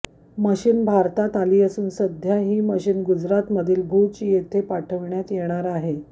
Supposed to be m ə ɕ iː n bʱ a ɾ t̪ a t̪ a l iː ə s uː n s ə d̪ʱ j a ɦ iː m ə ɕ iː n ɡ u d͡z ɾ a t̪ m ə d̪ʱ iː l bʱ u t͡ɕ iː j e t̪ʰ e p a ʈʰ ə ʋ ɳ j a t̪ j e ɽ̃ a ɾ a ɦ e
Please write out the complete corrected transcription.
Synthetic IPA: m ə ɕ iː n bʱ a ɾ t̪ a t̪ a l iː ə s uː n s ə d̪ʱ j a ɦ iː m ə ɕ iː n ɡ u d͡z ɾ a t̪ m ə d̪ʱ iː l bʱ u t͡ɕ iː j e t̪ʰ e p a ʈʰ ə ʋ ɳ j a t̪ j e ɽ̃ a ɾ a ɦ e

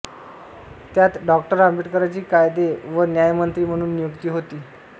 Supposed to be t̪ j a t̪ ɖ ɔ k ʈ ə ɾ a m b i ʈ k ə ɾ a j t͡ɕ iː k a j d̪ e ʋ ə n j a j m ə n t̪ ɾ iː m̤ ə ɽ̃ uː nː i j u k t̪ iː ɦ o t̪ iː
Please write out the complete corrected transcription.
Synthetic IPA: t̪ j a t̪ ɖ ɔ k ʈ ə ɾ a m b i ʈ k ə ɾ a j t͡ɕ iː k a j d̪ e ʋ ə n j a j m ə n t̪ ɾ iː m̤ ə ɽ̃ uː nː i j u k t̪ iː ɦ o t̪ iː

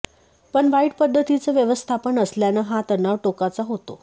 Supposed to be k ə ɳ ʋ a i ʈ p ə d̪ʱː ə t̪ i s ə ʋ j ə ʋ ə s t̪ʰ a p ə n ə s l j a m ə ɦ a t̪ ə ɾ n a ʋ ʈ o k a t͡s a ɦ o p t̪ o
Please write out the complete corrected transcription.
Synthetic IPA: p ə ɳ ʋ a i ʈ p ə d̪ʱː ə t̪ i t͡s ə ʋ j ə ʋ ə s t̪ʰ a p ə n ə s l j a n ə ɦ a t̪ ə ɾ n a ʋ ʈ o k a t͡s a ɦ o t̪ o

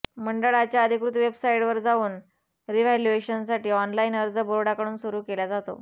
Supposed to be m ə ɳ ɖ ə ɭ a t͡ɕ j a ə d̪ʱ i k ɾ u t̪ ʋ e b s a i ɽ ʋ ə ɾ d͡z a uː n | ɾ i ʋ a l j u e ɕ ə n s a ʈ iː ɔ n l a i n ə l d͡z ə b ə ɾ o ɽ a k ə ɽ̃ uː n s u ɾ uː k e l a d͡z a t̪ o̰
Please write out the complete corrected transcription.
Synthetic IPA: m ə ɳ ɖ ə ɭ a t͡ɕ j a ə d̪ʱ i k ɾ u t̪ ʋ e b s a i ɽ ʋ ə ɾ d͡z a uː n | ɾ i ʋ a l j u e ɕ ə n s a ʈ iː ɔ n l a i n ə ɾ d͡z ə b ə ɾ o ɽ a k ə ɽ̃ uː n s u ɾ uː k e l a d͡z a t̪ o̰

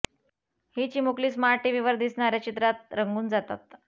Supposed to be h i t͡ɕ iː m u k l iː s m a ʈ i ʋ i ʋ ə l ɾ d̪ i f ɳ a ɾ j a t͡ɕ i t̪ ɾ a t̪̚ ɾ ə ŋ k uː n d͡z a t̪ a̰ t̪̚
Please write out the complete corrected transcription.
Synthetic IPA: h i t͡ɕ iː m u k l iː s m a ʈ i ʋ i ʋ ə ɾ d̪ i s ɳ a ɾ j a t͡ɕ i t̪ ɾ a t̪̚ ɾ ə ŋ ɡ uː n d͡z a t̪ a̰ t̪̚

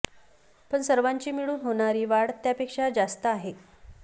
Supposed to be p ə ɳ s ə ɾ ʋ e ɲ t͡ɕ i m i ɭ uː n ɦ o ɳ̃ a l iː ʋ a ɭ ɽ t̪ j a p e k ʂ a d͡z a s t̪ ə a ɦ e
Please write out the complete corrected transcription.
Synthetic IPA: p ə ɳ s ə ɾ ʋ a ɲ t͡ɕ iː m i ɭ uː n ɦ o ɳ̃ a ɾ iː ʋ a ɽ t̪ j a p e k ʂ a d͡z a s t̪ ə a ɦ e

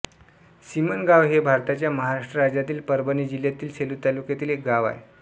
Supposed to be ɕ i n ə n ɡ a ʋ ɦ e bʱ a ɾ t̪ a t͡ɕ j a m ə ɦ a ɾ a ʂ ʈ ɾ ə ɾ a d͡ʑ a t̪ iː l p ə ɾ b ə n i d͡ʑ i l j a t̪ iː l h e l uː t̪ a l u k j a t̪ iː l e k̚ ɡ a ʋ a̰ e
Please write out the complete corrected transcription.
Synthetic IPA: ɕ i m ə n ɡ a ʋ ɦ e bʱ a ɾ t̪ a t͡ɕ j a m ə ɦ a ɾ a ʂ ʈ ɾ ə ɾ a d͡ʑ a t̪ iː l p ə ɾ b ə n i d͡ʑ i l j a t̪ iː l s e l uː t̪ a l u k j a t̪ iː l e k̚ ɡ a ʋ a̰ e

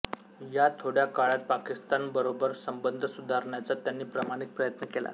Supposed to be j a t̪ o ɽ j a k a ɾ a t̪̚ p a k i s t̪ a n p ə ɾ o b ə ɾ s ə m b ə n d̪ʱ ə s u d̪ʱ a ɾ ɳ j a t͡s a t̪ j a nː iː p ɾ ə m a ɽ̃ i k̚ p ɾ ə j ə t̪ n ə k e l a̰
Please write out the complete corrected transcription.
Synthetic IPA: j a t̪ʰ o ɽ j a k a ɭ a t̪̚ p a k i s t̪ a n b ə ɾ o b ə ɾ s ə m b ə n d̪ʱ ə s u d̪ʱ a ɾ ɳ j a t͡s a t̪ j a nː iː p ɾ ə m a ɽ̃ i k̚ p ɾ ə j ə t̪ n ə k e l a̰

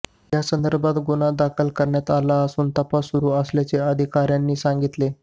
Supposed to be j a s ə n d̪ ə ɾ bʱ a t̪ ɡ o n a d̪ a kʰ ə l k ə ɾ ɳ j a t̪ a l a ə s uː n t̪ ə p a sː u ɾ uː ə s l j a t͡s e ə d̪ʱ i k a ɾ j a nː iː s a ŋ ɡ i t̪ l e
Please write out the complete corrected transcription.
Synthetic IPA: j a s ə n d̪ ə ɾ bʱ a t̪ ɡ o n a d̪ a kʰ ə l k ə ɾ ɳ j a t̪ a l a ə s uː n t̪ ə p a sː u ɾ uː ə s l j a t͡s e ə d̪ʱ i k a ɾ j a nː iː s a ŋ ɡ i t̪ l e

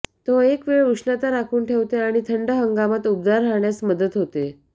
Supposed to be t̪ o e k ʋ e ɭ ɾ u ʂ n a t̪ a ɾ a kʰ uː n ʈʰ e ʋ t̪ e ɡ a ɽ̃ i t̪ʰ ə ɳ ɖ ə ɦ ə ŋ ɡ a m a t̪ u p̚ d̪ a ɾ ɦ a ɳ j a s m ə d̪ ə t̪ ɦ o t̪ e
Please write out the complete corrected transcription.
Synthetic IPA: t̪ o e k ʋ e ɭ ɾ u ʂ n a t̪ a ɾ a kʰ uː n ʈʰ e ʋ t̪ e a ɽ̃ i t̪ʰ ə ɳ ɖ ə ɦ ə ŋ ɡ a m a t̪ u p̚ d̪ a ɾ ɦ a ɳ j a s m ə d̪ ə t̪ ɦ o t̪ e

